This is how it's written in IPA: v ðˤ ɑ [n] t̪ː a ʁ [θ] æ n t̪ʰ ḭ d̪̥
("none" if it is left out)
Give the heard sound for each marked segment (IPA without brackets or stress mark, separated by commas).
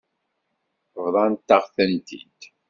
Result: n, θ